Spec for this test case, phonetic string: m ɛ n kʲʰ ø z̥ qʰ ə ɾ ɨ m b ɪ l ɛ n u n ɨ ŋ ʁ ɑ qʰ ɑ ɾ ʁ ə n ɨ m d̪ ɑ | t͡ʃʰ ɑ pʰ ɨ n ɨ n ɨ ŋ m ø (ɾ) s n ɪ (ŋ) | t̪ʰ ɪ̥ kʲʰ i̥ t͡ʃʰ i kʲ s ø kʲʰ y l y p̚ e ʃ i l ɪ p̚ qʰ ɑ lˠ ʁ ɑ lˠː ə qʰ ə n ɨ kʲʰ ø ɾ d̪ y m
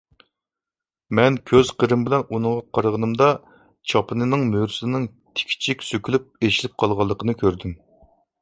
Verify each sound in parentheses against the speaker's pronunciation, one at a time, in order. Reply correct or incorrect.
correct, correct

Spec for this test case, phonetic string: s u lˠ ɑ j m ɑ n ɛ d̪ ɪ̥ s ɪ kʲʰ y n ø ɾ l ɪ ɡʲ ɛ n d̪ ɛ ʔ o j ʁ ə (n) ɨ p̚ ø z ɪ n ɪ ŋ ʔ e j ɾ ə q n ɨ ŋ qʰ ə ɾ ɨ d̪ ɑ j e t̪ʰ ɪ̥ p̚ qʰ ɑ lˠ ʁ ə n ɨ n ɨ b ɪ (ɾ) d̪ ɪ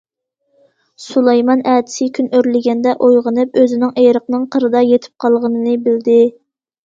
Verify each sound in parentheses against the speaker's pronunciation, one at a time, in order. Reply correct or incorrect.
correct, incorrect: l

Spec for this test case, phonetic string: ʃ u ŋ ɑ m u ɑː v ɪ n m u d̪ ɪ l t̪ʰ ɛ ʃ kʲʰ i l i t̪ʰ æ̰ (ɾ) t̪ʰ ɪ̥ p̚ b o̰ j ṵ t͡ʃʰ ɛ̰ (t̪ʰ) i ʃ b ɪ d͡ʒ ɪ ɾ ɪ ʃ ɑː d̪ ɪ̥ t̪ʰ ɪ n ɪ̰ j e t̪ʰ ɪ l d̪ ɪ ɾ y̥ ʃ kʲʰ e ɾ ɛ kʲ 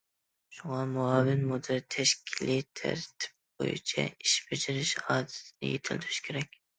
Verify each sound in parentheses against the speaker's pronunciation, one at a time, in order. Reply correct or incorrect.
correct, incorrect: none

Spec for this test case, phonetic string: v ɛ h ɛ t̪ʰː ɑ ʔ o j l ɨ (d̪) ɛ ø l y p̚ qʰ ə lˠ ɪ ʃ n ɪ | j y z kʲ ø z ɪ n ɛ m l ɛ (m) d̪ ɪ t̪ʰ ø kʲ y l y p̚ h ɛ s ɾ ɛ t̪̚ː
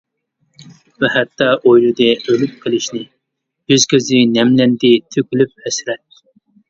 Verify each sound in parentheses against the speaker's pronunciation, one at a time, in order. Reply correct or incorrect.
correct, incorrect: n

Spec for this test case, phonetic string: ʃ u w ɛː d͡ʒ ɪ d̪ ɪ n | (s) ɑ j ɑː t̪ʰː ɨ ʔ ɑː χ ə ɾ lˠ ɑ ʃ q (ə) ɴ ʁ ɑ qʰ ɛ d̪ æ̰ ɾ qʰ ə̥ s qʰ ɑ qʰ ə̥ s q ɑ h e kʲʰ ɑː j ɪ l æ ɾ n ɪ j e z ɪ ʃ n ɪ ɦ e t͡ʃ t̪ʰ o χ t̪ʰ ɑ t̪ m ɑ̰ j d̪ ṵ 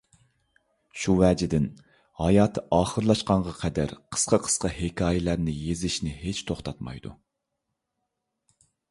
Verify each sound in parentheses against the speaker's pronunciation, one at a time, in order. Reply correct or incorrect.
incorrect: h, incorrect: ɑ

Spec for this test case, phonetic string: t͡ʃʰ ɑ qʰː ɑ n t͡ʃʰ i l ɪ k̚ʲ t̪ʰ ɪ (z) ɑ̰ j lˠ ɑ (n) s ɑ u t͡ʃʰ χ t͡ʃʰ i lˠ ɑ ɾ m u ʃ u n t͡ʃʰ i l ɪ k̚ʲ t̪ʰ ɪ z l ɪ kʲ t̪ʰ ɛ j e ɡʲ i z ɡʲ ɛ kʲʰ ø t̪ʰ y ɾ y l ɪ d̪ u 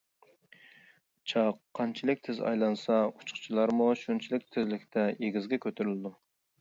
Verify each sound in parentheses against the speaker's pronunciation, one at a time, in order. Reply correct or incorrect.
correct, correct

